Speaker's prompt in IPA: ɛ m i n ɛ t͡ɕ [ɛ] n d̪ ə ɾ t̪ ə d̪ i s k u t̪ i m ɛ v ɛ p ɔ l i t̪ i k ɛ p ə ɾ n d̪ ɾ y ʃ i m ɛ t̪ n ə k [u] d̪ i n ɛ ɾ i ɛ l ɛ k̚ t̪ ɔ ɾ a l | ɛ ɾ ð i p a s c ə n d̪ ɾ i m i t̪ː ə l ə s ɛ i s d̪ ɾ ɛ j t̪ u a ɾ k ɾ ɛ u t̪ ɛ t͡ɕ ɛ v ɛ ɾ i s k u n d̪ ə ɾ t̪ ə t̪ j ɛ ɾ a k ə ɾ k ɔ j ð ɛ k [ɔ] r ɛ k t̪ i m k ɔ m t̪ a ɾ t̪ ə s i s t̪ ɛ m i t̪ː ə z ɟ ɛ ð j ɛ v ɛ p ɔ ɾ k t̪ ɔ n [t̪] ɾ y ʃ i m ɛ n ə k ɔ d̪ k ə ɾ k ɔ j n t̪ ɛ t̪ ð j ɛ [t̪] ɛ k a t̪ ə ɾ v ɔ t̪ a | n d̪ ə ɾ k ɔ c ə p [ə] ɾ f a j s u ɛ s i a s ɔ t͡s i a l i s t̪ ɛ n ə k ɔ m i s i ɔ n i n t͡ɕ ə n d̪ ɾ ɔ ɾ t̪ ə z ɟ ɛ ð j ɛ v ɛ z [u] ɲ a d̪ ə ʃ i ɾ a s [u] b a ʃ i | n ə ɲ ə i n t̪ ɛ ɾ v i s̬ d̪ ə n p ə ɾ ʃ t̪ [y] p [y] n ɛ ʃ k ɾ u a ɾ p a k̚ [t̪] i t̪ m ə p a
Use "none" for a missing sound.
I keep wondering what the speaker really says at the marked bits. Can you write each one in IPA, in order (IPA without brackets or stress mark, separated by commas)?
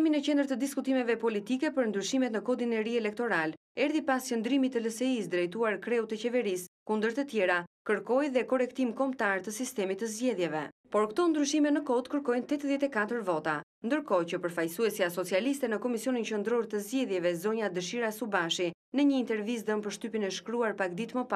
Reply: ɛ, ɔ, ɔ, d̪, t̪, ə, ɔ, u, y, i, d̪